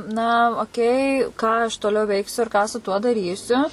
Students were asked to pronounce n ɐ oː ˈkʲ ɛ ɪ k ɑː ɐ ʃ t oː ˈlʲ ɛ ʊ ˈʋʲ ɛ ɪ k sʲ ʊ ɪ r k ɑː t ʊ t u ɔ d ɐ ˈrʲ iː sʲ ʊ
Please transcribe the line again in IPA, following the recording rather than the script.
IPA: n ɐ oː ˈkʲ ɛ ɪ k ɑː ɐ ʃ t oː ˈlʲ ɛ ʊ ˈʋʲ ɛ ɪ k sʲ ʊ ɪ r k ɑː s ʊ t u ɔ d ɐ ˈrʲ iː sʲ ʊ

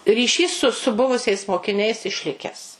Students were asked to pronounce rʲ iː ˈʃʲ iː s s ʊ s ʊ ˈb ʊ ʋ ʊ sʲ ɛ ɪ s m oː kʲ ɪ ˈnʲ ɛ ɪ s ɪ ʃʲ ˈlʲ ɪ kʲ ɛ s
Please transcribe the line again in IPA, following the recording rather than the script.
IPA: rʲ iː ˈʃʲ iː s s ʊ s ʊ ˈb ʊ ʋ ʊ sʲ ɛ ɪ s m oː kʲ ɪ ˈnʲ ɛ ɪ s ɪ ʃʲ ˈlʲ ɪ kʲ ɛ s

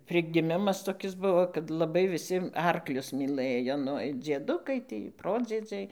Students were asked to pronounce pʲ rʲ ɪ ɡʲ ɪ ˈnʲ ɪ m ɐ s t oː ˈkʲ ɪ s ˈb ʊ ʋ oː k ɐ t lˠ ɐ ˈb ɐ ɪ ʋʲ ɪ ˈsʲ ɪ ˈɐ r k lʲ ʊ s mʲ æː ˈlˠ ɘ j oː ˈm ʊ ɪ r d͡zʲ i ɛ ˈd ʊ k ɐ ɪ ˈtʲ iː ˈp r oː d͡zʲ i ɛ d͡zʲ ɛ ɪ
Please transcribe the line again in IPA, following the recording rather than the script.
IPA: pʲ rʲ ɪ ɡʲ ɪ ˈmʲ ɪ m ɐ s t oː ˈkʲ ɪ s ˈb ʊ ʋ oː k ɐ t lˠ ɐ ˈb ɐ ɪ ʋʲ ɪ ˈsʲ ɪ ˈɐ r k lʲ ʊ s mʲ iː ˈlˠ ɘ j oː ˈn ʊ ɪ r d͡zʲ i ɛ ˈd ʊ k ɐ ɪ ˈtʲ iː ˈp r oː d͡zʲ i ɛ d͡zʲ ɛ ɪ

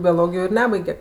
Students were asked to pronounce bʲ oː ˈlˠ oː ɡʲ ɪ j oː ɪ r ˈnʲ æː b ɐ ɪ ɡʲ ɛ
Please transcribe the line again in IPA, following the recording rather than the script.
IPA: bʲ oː ˈlˠ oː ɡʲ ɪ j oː ɪ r ˈnʲ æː b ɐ ɪ ɡʲ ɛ

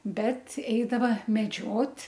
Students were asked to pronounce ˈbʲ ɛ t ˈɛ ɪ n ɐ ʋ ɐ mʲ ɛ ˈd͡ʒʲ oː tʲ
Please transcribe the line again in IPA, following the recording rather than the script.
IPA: ˈbʲ ɛ t ˈɛ ɪ d ɐ ʋ ɐ mʲ ɛ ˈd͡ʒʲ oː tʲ

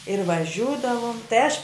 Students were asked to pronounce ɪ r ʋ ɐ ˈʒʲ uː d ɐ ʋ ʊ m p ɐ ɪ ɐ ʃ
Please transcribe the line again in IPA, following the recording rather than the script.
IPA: ɪ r ʋ ɐ ˈʒʲ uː d ɐ ʋ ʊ m t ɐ ɪ ɐ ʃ

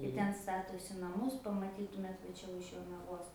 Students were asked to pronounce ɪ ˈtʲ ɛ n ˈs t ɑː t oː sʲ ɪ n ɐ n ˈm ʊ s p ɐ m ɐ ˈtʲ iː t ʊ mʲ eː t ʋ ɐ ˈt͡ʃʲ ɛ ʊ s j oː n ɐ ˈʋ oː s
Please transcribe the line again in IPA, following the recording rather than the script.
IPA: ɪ ˈtʲ ɛ n ˈs t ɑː t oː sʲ ɪ n ɐ ˈm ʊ s p ɐ m ɐ ˈtʲ iː t ʊ mʲ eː t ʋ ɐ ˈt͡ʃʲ ɛ ʊ ʃ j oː n ɐ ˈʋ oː s

